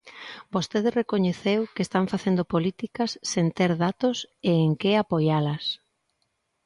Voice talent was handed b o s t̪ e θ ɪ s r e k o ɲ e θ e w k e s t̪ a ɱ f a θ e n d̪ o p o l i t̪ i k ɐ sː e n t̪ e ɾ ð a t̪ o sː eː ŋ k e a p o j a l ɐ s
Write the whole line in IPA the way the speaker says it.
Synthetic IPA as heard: b o s t̪ e ð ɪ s r e k o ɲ e θ e w k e s t̪ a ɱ f a θ e n d̪ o p o l i t̪ i k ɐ sː e n t̪ e ɾ ð a t̪ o s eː ŋ k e a p o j a l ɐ s